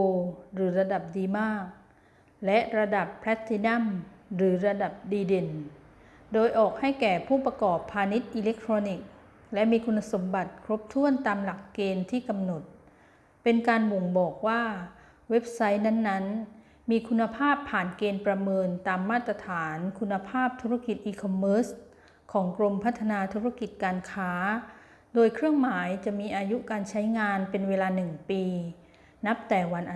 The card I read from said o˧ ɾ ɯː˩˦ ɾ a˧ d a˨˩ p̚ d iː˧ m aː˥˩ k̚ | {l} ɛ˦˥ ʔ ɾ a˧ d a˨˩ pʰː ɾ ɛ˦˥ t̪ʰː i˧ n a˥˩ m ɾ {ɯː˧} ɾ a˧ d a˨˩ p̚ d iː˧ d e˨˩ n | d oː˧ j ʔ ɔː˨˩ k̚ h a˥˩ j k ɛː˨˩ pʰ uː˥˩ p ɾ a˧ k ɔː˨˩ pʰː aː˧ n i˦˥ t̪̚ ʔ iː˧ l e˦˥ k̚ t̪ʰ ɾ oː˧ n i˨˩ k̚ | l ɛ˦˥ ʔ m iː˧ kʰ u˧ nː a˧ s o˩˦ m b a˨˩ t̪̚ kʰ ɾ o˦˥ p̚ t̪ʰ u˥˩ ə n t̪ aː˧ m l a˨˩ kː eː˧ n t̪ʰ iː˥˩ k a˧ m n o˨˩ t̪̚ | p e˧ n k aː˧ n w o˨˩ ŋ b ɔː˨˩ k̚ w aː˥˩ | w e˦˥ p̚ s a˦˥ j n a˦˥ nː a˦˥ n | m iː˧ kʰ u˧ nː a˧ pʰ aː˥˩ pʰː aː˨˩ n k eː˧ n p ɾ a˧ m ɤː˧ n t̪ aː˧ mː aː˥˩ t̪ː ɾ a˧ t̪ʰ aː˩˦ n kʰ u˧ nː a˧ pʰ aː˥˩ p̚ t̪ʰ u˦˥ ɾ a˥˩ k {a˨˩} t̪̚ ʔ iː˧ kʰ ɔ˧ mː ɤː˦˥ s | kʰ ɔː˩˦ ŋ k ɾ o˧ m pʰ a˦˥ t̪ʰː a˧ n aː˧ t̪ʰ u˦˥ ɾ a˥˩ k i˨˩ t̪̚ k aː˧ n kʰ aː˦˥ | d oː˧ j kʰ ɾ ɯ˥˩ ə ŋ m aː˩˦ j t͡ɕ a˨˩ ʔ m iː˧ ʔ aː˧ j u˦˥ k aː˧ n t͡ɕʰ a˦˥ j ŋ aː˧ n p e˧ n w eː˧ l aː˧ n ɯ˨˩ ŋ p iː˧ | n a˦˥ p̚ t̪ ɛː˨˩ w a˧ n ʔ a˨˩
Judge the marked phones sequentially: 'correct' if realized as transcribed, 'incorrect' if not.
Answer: correct, incorrect: ɯː˩˦, incorrect: i˨˩

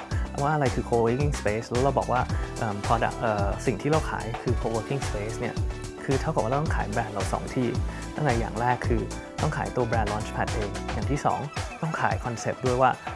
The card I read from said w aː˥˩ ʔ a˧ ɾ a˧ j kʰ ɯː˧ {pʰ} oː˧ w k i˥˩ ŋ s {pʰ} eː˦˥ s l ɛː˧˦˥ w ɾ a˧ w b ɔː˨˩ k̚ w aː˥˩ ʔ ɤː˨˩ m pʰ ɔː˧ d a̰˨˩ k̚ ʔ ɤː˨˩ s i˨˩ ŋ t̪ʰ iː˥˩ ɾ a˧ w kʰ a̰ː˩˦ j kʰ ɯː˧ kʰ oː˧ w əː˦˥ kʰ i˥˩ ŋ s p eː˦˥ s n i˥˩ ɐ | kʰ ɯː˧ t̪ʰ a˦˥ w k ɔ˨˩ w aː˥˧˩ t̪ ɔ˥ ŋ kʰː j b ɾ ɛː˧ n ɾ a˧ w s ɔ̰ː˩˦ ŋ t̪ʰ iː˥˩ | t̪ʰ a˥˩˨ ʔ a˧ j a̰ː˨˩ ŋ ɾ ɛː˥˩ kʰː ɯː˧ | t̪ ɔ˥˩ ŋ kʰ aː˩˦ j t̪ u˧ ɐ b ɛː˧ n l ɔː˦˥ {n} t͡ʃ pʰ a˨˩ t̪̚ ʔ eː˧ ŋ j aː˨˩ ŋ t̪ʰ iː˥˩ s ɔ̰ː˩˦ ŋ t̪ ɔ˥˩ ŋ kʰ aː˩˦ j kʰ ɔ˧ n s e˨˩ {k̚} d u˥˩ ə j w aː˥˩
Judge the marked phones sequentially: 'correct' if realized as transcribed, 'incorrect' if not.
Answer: incorrect: kʰ, incorrect: p, correct, incorrect: p̚

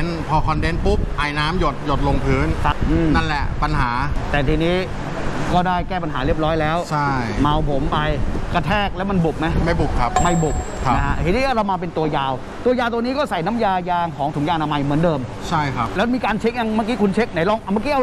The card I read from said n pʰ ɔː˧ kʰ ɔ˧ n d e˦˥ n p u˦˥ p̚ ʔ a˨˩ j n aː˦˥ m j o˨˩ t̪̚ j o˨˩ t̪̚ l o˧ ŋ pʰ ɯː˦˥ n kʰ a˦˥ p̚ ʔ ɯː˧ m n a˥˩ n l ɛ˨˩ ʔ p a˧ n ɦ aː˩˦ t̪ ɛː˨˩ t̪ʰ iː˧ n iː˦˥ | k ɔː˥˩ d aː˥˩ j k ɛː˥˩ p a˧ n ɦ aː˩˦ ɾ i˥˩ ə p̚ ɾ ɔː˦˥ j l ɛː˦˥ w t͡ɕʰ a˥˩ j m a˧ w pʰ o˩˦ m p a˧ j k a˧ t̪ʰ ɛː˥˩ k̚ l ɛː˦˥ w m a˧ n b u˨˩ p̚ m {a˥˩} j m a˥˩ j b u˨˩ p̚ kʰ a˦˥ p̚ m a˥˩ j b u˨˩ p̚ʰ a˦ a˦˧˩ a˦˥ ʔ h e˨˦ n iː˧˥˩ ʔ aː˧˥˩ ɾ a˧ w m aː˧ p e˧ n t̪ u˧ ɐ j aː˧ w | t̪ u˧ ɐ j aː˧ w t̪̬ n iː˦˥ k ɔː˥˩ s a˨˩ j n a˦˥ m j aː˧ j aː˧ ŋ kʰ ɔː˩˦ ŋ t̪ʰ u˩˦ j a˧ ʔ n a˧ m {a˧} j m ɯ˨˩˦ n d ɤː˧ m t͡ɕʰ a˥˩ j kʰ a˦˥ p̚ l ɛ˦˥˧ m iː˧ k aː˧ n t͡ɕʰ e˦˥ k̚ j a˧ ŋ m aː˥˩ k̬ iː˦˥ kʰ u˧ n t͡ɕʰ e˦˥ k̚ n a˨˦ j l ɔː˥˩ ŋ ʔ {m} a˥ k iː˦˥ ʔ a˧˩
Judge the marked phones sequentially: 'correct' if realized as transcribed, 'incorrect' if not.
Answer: incorrect: a˦˥, correct, correct

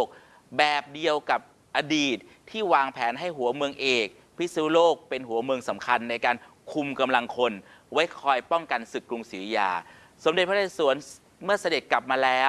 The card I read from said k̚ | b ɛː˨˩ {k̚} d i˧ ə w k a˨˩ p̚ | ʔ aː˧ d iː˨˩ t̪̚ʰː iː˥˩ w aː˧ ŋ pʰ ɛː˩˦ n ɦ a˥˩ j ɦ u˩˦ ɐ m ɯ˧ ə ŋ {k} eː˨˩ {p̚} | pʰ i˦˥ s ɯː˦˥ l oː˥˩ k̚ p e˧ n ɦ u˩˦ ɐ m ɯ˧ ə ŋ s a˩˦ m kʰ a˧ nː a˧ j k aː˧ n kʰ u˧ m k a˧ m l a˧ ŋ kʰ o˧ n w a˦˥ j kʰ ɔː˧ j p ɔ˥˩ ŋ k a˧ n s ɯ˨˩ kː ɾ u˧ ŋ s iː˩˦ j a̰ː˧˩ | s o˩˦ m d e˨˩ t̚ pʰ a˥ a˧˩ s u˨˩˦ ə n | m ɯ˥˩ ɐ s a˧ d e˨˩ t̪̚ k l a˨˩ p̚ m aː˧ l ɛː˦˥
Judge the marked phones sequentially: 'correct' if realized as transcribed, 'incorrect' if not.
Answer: incorrect: p̚, incorrect: ʔ, incorrect: k̚

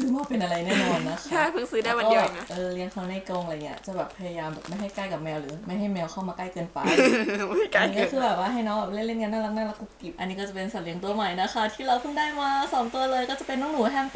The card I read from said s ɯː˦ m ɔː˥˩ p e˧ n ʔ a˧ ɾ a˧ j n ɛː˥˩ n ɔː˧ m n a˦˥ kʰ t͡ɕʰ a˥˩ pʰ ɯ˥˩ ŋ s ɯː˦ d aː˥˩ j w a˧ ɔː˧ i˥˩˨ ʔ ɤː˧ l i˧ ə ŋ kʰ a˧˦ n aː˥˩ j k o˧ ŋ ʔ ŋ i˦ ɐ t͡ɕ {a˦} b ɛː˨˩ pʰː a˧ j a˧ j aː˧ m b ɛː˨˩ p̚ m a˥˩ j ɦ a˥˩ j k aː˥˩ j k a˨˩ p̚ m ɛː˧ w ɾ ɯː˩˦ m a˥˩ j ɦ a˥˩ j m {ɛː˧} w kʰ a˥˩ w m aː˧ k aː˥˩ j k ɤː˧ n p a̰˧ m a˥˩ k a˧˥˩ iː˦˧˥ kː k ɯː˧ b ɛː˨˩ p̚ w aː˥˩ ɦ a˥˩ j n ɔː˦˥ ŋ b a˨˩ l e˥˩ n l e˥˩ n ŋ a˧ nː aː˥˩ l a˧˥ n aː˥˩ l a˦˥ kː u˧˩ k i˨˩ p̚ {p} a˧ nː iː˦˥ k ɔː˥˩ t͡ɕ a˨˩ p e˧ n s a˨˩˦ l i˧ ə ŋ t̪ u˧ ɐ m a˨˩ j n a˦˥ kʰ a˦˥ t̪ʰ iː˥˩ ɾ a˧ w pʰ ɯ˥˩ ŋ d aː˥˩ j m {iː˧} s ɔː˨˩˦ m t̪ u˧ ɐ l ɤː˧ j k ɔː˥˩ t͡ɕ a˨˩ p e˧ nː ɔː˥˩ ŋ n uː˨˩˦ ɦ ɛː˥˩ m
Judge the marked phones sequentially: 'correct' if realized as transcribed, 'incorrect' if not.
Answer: incorrect: a˨˩, correct, incorrect: ʔ, incorrect: aː˧

